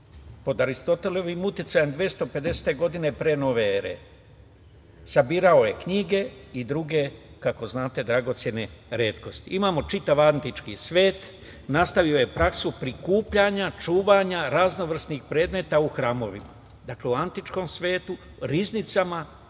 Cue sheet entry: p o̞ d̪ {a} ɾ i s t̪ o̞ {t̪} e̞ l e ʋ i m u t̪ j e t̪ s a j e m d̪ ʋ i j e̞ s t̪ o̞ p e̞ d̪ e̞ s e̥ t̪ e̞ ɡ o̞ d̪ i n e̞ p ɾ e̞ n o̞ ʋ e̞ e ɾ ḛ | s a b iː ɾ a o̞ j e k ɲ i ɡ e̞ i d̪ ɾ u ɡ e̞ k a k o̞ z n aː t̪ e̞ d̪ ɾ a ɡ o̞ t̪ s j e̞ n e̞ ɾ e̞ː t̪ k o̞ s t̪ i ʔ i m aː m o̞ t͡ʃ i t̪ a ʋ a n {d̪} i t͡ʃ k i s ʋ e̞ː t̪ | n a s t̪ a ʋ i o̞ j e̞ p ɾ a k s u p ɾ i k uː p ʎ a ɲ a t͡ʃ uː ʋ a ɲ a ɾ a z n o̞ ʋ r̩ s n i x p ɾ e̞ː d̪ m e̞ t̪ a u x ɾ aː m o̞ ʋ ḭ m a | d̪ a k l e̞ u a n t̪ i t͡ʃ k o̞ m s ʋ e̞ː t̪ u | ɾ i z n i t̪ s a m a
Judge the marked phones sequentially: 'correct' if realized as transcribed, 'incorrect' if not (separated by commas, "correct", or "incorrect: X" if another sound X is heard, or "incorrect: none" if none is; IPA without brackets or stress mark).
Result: correct, correct, incorrect: t̪